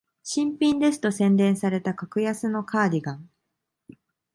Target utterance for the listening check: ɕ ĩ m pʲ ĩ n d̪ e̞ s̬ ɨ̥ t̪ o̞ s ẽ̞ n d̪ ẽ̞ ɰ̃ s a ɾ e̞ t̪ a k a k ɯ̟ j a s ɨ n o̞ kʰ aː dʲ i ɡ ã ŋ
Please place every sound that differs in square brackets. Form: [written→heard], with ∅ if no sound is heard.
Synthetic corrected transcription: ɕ ĩ m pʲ ĩ n d̪ e̞ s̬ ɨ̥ t̪ o̞ s ẽ̞ n d̪ ẽ̞ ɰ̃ s a ɾ e̞ t̪ a k a k ɯ̟ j a s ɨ n o̞ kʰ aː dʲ i ɡ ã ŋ